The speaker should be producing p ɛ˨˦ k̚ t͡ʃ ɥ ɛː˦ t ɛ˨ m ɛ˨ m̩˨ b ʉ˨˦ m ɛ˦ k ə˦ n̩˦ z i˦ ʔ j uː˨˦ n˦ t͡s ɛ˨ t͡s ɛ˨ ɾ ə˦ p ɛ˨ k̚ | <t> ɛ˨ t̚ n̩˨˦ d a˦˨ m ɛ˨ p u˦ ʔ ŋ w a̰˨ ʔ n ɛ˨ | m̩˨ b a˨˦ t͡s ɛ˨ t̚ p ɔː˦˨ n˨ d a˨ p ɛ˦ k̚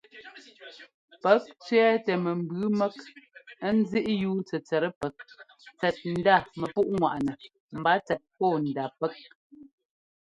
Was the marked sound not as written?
yes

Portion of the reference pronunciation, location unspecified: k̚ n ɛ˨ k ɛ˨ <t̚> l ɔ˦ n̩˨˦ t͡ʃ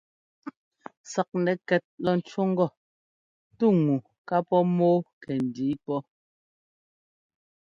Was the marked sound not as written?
no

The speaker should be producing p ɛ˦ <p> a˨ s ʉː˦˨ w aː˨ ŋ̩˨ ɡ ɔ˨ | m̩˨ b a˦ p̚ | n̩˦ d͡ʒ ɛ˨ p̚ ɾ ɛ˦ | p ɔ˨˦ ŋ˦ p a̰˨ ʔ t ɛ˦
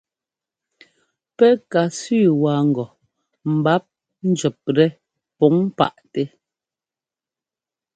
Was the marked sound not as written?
yes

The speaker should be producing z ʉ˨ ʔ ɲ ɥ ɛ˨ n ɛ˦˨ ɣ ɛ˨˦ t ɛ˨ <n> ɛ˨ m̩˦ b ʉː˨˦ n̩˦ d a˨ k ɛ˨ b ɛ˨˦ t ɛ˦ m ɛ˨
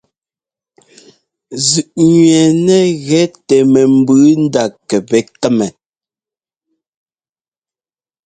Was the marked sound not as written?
yes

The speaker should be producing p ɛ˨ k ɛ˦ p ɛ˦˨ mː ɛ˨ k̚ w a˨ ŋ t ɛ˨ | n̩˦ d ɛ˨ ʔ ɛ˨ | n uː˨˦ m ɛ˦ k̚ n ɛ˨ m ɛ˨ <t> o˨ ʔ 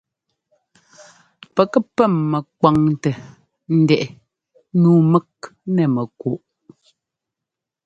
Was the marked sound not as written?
yes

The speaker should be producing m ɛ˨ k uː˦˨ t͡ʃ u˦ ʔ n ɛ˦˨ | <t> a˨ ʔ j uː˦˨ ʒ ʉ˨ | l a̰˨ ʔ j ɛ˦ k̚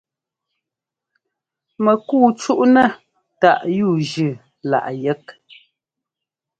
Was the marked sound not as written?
no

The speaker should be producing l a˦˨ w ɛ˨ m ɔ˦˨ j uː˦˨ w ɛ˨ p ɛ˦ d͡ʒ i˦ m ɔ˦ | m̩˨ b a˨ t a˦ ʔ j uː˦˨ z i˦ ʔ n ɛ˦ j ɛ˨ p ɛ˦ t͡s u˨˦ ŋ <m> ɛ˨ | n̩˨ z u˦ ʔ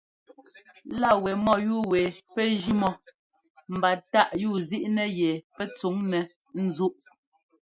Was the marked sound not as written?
yes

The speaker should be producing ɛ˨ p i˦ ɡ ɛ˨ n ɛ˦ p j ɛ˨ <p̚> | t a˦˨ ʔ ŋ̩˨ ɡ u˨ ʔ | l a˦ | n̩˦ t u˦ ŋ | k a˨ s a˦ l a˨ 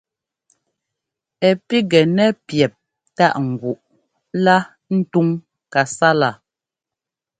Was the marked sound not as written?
no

